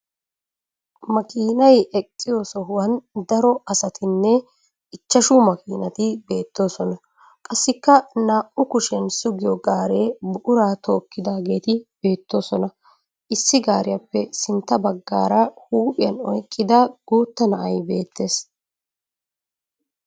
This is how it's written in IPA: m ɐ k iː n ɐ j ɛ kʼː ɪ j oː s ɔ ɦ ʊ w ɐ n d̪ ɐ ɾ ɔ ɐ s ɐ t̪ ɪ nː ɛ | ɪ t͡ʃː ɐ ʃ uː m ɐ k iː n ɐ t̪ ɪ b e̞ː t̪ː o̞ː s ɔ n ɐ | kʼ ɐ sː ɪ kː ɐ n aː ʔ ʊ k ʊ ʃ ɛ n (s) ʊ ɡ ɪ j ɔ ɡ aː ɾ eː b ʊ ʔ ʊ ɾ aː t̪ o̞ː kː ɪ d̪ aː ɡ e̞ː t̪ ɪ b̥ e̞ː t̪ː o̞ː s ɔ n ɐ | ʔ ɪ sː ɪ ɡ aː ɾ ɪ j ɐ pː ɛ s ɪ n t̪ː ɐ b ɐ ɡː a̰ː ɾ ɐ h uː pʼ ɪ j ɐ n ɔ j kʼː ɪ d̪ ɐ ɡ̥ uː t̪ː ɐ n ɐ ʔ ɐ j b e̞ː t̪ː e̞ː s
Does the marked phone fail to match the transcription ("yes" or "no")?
no